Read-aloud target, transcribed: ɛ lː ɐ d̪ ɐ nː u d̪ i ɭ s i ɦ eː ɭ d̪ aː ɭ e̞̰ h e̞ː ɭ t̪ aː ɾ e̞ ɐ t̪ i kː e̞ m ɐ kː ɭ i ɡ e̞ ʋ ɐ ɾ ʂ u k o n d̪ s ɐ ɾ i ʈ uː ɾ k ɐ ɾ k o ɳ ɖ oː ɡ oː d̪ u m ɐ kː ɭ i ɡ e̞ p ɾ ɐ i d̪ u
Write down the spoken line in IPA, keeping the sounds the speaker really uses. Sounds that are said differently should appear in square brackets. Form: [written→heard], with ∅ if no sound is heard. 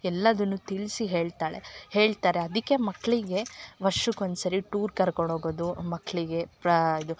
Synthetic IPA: ɛ lː ɐ d̪ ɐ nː u [d̪→t̪] i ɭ s i ɦ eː ɭ [d̪→t̪] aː ɭ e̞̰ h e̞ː ɭ t̪ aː ɾ e̞ ɐ [t̪→d̪] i kː e̞ m ɐ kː ɭ i ɡ e̞ ʋ ɐ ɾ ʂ u k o n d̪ s ɐ ɾ i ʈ uː ɾ k ɐ ɾ k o ɳ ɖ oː ɡ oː d̪ u m ɐ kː ɭ i ɡ e̞ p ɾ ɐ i d̪ u